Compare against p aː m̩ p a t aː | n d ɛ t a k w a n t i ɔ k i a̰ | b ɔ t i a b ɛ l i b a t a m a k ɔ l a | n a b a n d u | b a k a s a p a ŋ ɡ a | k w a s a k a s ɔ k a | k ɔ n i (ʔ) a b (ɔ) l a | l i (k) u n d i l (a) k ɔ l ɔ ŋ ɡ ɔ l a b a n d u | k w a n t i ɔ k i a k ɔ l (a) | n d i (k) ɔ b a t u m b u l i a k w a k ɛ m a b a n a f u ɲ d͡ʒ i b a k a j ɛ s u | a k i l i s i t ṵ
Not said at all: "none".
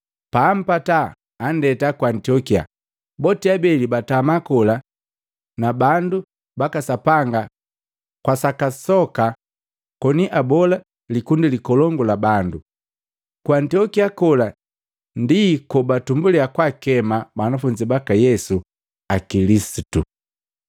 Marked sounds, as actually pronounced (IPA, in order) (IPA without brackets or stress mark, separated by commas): ʔ, ɔ, k, i, a, k